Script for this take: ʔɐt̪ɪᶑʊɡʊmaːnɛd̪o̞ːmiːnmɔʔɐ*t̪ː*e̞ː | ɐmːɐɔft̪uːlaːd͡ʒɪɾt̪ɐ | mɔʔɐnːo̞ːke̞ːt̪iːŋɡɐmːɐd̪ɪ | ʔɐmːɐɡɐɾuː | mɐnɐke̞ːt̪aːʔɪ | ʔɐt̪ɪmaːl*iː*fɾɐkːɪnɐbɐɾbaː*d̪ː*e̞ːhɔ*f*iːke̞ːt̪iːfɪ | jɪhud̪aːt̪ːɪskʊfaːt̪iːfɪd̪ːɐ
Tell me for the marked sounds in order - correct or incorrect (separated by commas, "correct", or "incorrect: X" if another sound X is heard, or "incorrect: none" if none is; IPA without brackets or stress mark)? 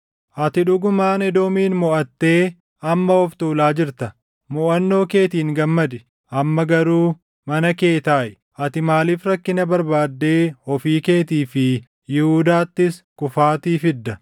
correct, correct, correct, correct